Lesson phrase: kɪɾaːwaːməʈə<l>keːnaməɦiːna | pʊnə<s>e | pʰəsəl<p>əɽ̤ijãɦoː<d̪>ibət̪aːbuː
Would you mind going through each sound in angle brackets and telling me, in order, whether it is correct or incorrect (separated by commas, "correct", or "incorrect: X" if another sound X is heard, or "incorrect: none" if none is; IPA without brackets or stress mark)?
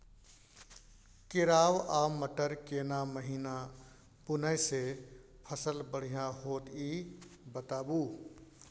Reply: incorrect: ɾ, correct, incorrect: b, incorrect: t̪